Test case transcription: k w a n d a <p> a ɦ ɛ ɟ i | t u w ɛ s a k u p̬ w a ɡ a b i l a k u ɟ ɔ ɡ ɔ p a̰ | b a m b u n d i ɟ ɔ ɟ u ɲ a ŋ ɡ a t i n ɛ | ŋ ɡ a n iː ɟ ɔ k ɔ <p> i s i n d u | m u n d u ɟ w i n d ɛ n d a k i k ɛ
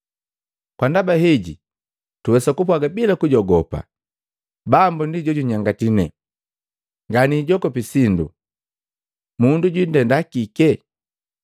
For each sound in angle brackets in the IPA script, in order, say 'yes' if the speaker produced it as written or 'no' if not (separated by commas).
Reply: no, yes